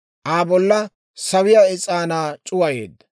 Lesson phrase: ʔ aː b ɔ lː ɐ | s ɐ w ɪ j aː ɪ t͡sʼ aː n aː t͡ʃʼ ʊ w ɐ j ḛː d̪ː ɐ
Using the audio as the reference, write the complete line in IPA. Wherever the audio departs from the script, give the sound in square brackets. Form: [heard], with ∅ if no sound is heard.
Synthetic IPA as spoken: ʔ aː b ɔ lː ɐ | s ɐ w ɪ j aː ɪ t͡sʼ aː n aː t͡ʃʼ ʊ w ɐ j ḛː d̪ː ɐ